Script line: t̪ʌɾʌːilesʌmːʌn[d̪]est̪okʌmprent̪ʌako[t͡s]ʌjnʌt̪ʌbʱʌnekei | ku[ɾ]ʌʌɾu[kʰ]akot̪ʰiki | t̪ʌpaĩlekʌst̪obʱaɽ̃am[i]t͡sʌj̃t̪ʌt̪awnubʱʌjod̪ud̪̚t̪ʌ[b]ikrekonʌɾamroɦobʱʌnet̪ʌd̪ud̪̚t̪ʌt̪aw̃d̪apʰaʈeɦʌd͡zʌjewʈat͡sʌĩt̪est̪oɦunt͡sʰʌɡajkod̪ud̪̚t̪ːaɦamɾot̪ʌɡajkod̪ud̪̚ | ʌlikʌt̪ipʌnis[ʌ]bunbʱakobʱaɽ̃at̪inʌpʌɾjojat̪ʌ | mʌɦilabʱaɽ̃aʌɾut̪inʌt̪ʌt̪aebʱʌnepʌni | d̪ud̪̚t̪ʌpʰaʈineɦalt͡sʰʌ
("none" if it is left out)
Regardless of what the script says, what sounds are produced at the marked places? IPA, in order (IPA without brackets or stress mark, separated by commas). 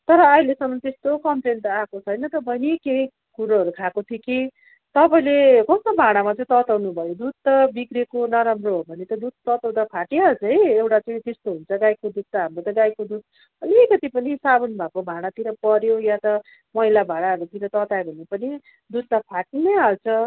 t̪, t͡sʰ, ɾ, kʰ, a, b, a